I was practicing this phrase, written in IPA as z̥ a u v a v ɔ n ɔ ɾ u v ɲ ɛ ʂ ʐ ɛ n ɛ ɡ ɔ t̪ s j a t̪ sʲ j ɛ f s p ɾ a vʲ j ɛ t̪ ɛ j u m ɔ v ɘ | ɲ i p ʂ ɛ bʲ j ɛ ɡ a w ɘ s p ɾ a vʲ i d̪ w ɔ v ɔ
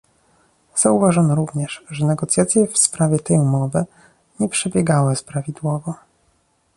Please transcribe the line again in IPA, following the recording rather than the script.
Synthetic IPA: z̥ a u v a ʐ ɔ n ɔ ɾ u v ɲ ɛ ʂ ʐ ɛ n ɛ ɡ ɔ t̪ s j a t̪ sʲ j ɛ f s p ɾ a vʲ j ɛ t̪ ɛ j u m ɔ v ɘ | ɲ ɛ p ʂ ɛ bʲ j ɛ ɡ a w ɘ s p ɾ a vʲ i d̪ w ɔ v ɔ